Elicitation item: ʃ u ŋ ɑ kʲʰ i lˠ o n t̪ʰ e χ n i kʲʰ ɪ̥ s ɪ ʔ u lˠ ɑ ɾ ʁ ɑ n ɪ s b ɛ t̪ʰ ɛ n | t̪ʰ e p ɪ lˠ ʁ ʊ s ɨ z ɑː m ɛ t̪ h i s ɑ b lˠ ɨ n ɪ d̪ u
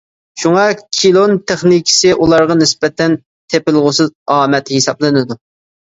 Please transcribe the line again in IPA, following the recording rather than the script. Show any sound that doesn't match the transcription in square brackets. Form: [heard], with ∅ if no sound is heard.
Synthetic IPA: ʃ u ŋ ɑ kʲʰ i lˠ o n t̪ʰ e χ n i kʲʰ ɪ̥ s ɪ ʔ u lˠ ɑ ɾ ʁ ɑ n ɪ s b ɛ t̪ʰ ɛ n | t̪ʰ e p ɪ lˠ ʁ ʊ s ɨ z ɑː m ɛ t̪ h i s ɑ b lˠ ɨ n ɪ d̪ u